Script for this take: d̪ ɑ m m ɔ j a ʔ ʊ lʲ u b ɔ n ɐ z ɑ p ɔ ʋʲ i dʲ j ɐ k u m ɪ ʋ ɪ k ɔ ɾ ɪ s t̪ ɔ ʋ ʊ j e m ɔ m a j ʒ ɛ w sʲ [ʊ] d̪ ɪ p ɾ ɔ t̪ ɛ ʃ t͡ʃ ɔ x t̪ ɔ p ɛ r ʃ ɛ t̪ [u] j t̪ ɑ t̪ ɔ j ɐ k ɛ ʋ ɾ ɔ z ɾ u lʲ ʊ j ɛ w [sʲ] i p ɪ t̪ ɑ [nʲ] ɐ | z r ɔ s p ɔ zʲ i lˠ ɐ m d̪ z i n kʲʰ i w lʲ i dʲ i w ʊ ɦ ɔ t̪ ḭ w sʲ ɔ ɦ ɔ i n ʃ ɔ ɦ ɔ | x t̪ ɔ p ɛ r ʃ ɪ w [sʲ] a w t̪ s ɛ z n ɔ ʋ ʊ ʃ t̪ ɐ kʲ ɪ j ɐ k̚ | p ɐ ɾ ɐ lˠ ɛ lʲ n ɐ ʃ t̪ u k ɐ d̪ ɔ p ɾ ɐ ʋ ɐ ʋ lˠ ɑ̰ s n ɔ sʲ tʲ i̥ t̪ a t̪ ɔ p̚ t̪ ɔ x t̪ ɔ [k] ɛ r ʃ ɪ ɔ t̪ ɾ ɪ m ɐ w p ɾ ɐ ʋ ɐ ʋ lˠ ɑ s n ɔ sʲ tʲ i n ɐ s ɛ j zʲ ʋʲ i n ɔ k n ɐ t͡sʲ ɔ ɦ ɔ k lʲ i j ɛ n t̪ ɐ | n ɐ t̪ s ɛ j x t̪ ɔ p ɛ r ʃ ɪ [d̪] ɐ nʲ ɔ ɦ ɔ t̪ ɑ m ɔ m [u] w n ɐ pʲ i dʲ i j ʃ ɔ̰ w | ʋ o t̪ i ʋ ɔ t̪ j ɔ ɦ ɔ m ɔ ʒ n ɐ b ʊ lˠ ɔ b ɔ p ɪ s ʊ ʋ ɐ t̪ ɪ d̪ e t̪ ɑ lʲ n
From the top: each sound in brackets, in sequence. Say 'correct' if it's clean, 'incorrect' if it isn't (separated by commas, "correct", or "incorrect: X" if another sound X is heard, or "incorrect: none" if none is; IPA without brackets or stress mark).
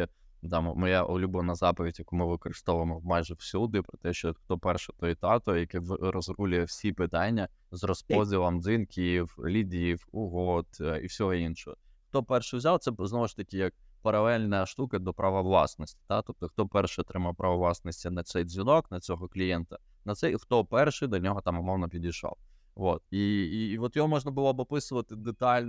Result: incorrect: u, incorrect: ɔ, correct, incorrect: nʲː, incorrect: zʲ, incorrect: p, correct, incorrect: ɔ